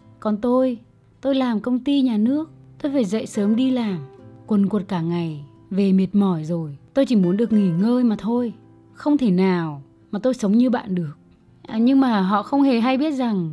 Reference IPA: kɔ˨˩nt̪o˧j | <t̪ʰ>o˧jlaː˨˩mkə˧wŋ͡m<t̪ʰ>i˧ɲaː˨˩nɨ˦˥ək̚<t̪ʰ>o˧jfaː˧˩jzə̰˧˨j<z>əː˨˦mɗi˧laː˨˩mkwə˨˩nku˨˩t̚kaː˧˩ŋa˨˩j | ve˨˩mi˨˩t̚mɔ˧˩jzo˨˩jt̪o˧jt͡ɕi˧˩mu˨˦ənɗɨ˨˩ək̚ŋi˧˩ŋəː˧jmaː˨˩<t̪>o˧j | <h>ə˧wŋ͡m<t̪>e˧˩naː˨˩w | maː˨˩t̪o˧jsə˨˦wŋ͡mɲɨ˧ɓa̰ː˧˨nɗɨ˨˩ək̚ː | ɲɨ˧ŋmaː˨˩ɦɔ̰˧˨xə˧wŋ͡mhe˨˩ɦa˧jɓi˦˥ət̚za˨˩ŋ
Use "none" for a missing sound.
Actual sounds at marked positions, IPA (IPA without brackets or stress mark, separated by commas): t̪, t̪, t̪, s, t̪ʰ, x, t̪ʰ